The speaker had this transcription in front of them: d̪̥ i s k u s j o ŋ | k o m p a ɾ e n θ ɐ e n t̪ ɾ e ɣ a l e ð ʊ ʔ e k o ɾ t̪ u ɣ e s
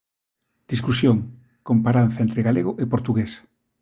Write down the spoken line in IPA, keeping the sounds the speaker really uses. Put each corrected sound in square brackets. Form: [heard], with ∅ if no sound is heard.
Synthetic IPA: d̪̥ i s k u s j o ŋ | k o m p a ɾ [a] n θ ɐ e n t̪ ɾ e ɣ a l e [ɣ] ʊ ʔ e [p] o ɾ t̪ u ɣ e s